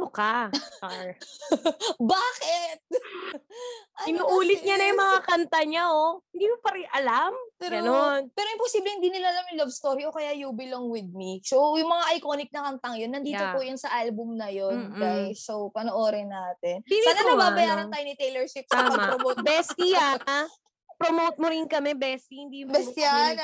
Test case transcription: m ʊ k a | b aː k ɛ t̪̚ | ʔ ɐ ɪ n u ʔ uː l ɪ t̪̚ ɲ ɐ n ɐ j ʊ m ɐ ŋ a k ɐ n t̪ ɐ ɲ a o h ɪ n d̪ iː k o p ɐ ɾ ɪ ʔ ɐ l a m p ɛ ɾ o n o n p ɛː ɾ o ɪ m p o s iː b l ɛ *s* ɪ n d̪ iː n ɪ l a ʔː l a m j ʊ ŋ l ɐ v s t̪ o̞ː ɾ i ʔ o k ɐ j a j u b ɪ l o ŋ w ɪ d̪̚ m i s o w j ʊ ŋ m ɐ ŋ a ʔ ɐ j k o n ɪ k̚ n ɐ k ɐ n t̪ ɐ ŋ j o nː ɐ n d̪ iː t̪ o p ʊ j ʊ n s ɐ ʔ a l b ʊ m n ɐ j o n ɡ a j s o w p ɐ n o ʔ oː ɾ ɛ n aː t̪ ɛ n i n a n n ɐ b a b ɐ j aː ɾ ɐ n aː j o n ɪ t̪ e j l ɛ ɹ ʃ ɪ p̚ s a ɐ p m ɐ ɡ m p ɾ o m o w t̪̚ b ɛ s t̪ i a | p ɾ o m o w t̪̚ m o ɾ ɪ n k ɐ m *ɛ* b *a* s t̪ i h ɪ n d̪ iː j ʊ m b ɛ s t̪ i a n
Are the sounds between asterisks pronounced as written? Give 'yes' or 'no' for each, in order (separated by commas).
no, yes, no